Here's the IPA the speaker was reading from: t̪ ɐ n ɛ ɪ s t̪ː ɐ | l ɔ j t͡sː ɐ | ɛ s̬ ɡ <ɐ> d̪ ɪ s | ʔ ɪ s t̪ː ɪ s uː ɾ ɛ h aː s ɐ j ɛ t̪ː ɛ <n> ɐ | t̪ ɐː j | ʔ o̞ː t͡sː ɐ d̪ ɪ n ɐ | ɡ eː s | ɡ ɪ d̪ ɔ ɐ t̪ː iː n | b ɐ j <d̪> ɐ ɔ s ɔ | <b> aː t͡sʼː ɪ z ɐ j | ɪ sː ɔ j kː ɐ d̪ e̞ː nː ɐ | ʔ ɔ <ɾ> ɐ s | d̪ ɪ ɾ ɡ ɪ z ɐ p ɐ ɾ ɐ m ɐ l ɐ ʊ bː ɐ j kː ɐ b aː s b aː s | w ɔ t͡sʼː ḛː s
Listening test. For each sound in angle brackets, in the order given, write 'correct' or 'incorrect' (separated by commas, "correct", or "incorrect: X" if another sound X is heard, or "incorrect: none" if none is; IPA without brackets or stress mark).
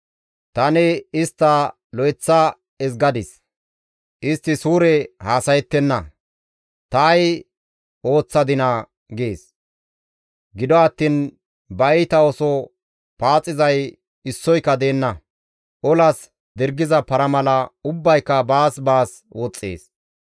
correct, incorrect: nː, incorrect: t̪, incorrect: p, incorrect: l